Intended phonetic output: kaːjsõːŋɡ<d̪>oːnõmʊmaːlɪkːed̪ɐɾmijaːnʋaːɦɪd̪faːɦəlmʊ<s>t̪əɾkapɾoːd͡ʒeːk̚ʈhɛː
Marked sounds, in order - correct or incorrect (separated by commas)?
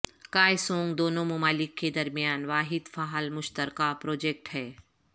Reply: correct, incorrect